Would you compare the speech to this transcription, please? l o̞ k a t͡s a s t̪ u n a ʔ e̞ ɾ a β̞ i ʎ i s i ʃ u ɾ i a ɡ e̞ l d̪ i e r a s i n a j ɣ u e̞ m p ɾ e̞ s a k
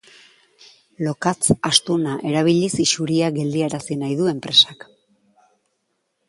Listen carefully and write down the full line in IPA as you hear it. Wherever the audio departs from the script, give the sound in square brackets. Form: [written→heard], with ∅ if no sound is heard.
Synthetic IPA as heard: l o̞ k a t͡s a s t̪ u n a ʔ e̞ ɾ a β̞ i ʎ i s i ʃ u ɾ i a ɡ e̞ l d̪ i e [r→ɾ] a s i n a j [ɣ→ð] u e̞ m p ɾ e̞ s a k